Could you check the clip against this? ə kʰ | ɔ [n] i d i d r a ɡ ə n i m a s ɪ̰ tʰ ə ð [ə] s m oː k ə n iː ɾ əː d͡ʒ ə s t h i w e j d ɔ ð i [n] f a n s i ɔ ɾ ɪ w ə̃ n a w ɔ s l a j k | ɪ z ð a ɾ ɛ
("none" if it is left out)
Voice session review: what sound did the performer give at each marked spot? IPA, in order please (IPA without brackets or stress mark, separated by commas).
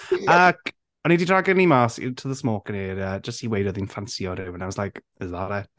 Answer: n, ə, n